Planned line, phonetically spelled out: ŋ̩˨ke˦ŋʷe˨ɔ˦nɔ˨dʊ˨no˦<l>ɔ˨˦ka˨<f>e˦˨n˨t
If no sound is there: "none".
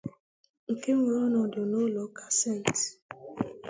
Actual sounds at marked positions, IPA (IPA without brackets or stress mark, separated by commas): l, s